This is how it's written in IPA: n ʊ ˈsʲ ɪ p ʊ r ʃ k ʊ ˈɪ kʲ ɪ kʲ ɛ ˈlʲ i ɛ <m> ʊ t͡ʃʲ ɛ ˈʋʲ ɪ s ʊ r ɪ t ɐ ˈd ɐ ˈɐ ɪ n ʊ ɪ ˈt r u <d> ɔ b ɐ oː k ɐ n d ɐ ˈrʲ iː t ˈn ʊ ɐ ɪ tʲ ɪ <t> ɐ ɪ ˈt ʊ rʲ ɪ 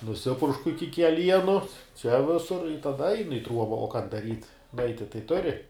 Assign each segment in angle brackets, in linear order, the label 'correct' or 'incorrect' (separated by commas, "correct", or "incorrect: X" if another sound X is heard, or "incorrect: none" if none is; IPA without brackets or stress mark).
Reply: incorrect: n, incorrect: none, correct